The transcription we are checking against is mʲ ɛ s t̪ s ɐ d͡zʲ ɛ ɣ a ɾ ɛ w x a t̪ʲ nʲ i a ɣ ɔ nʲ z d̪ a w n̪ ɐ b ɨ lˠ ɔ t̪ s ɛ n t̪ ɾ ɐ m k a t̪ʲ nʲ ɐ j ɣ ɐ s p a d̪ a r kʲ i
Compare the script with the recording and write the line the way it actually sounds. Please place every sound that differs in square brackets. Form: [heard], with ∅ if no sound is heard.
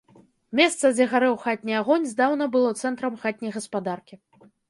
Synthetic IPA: mʲ ɛ s t̪ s ɐ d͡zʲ ɛ ɣ a ɾ ɛ w x a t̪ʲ nʲ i a ɣ ɔ nʲ z d̪ a w n̪ ɐ b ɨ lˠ ɔ t̪ s ɛ n t̪ ɾ ɐ m [x] a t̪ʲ nʲ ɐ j ɣ ɐ s p a d̪ a r kʲ i